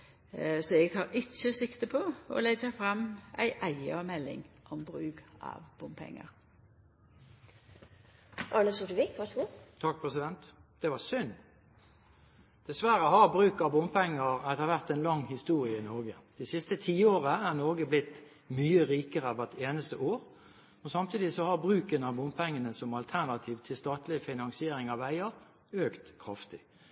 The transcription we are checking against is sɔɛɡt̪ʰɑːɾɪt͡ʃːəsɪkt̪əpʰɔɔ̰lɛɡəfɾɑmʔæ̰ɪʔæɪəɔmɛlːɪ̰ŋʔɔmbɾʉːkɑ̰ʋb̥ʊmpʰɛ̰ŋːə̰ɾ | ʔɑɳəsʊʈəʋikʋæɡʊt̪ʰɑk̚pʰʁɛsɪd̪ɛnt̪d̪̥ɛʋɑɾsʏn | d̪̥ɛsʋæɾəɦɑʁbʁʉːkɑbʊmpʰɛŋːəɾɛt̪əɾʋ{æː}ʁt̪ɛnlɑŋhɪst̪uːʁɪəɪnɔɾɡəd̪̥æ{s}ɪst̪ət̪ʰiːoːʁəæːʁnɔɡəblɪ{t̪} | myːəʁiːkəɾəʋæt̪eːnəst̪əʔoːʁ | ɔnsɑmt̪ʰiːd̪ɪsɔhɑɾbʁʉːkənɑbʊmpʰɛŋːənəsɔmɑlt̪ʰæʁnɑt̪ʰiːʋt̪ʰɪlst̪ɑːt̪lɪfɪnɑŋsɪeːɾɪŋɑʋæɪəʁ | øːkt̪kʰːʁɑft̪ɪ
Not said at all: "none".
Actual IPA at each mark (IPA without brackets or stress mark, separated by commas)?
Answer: æ, s, t̪